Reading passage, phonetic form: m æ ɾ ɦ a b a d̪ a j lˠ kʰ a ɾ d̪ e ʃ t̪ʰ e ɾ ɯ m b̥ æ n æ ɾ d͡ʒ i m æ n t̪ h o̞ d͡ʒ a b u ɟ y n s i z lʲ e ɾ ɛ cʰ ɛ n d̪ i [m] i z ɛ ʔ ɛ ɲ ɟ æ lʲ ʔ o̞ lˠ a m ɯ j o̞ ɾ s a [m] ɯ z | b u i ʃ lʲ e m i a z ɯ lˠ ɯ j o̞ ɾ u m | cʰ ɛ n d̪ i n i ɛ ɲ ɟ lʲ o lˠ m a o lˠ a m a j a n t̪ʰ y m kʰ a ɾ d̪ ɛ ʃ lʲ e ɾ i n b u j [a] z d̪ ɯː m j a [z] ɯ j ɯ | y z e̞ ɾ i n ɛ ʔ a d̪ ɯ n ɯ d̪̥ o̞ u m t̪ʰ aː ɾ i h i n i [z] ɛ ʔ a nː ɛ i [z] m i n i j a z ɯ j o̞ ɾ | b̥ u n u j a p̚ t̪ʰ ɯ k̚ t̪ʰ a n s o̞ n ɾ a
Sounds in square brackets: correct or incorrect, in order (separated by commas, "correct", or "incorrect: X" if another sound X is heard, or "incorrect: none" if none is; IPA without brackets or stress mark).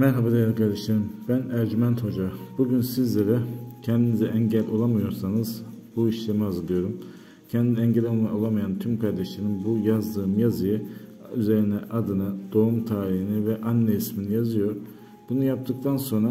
incorrect: n, incorrect: n, correct, correct, incorrect: v, incorrect: s